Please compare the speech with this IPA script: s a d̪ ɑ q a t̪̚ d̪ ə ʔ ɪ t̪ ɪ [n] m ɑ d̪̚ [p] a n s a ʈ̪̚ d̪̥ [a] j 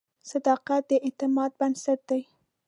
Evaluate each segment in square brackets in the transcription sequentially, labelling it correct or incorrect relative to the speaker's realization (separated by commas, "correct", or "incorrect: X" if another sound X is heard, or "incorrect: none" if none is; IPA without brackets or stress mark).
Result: incorrect: none, incorrect: b, correct